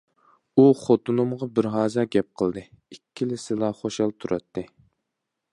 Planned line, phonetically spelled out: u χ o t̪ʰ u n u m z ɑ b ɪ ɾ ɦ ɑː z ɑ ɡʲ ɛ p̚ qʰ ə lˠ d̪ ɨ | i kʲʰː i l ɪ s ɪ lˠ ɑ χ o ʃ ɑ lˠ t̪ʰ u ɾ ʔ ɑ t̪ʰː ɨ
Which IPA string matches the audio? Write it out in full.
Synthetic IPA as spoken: u χ o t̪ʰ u n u m ʁ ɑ b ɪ ɾ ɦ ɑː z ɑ ɡʲ ɛ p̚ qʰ ə lˠ d̪ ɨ | i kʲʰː i l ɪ s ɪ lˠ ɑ χ o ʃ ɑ lˠ t̪ʰ u ɾ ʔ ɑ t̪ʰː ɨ